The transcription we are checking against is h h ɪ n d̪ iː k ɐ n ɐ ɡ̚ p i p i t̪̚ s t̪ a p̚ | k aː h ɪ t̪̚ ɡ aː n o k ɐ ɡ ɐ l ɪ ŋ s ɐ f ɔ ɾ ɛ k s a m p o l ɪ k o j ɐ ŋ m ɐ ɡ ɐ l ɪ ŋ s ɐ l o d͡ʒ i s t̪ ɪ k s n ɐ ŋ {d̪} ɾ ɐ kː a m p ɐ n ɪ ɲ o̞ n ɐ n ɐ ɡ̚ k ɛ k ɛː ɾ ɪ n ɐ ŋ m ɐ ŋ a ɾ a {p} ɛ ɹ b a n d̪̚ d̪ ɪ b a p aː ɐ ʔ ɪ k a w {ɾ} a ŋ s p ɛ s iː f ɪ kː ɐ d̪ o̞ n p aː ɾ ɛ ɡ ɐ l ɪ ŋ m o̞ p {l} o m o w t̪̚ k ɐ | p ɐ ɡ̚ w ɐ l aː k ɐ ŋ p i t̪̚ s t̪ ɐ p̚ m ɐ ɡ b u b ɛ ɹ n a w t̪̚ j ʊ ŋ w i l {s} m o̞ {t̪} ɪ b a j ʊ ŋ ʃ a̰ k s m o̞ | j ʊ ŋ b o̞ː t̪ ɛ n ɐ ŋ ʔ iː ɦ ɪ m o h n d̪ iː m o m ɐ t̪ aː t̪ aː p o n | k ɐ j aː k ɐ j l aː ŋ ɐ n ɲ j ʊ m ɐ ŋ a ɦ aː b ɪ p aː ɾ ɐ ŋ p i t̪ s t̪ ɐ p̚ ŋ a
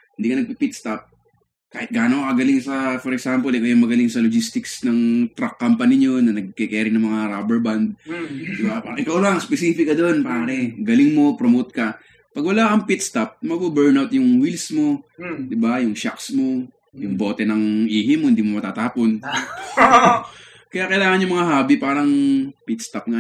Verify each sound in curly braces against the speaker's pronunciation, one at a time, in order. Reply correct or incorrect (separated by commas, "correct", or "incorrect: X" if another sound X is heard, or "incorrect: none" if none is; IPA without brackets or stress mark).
incorrect: t̪, incorrect: b, incorrect: l, incorrect: ɾ, correct, incorrect: d̪